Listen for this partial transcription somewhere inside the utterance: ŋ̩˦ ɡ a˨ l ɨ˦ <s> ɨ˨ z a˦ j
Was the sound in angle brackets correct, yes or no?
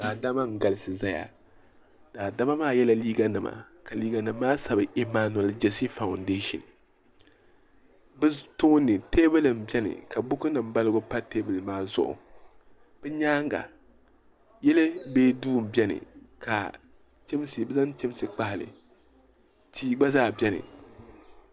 yes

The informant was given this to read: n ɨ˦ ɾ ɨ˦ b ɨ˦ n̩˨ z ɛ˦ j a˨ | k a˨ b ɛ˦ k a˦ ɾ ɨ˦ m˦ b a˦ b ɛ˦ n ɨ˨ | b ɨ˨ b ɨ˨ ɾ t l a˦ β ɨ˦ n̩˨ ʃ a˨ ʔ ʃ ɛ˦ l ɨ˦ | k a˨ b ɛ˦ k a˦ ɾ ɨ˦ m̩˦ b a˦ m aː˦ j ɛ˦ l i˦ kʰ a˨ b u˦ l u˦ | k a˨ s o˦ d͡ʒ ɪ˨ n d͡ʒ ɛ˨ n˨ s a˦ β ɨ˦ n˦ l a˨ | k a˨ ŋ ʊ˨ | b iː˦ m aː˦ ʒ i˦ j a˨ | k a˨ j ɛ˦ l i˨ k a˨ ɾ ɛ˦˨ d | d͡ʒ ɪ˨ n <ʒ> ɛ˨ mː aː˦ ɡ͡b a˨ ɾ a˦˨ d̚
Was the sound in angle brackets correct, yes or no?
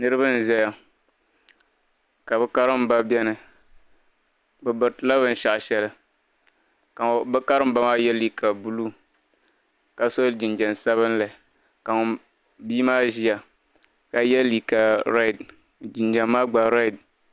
no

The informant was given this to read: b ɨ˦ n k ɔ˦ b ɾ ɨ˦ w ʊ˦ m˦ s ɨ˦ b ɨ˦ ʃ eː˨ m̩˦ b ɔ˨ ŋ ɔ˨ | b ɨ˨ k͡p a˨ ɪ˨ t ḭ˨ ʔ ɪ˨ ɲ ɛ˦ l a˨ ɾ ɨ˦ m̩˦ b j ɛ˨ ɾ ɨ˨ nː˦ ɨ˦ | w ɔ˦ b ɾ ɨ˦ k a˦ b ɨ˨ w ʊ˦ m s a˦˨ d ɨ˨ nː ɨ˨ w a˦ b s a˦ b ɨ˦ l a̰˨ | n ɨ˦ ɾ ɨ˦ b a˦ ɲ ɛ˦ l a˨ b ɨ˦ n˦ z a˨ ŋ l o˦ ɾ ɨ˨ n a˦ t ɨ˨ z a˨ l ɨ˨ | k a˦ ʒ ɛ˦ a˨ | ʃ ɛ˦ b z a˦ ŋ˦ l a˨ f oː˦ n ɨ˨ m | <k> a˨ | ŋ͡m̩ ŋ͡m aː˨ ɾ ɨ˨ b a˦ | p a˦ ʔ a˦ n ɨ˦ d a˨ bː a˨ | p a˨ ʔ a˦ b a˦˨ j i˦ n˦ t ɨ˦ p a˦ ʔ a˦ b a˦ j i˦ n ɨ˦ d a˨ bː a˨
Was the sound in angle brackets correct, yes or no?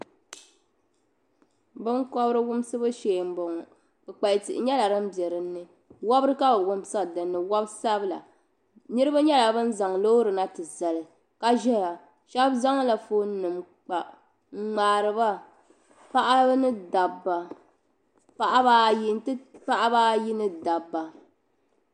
no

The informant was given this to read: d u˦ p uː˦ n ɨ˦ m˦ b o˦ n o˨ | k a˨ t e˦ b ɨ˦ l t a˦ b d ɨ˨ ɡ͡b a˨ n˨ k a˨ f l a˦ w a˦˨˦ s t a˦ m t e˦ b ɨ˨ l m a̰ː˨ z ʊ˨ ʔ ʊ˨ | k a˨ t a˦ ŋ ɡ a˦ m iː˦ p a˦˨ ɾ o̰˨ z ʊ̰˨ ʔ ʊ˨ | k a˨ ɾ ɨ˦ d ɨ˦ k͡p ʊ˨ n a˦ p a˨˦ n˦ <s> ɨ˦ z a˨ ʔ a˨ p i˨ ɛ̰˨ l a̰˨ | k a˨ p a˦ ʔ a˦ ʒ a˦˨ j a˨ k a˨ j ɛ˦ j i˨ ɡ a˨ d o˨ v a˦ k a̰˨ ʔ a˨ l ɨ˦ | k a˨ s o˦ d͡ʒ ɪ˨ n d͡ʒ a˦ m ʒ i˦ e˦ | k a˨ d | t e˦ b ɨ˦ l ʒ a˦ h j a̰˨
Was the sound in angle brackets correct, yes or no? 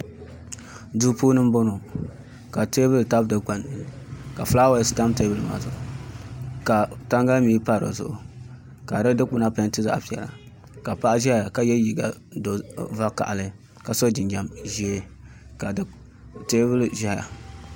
no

